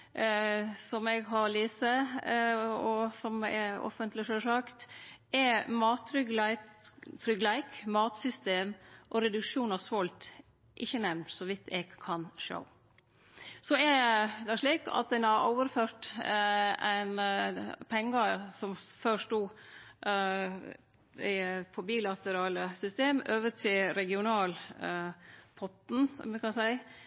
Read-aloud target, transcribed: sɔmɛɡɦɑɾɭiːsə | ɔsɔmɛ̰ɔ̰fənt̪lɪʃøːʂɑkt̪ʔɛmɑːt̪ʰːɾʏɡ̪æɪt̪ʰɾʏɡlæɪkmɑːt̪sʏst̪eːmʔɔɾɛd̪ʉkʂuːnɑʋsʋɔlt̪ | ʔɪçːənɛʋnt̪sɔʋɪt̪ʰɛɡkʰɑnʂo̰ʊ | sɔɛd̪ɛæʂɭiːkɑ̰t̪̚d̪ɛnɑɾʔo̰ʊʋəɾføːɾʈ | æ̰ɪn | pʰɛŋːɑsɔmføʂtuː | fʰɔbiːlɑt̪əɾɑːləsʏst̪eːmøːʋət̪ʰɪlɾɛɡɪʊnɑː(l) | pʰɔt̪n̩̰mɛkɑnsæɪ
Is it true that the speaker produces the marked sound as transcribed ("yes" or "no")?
yes